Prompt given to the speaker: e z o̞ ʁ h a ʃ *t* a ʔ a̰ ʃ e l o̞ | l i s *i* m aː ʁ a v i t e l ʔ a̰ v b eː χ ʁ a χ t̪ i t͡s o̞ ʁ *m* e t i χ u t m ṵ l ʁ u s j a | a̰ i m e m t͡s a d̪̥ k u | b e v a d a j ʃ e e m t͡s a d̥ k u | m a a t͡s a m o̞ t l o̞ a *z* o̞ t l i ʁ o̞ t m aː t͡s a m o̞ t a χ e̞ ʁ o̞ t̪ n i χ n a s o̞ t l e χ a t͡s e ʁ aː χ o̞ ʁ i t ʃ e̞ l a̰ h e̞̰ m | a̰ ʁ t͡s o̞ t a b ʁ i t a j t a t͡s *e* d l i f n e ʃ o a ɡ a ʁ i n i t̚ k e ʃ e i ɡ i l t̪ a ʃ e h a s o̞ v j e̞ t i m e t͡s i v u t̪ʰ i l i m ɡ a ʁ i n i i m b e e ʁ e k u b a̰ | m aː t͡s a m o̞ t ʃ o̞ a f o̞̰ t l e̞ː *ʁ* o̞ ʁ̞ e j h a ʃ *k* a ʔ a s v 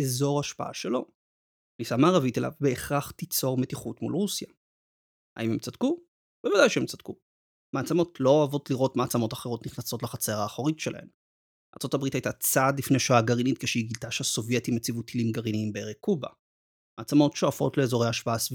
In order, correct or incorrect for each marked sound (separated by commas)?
incorrect, incorrect, correct, incorrect, incorrect, incorrect, incorrect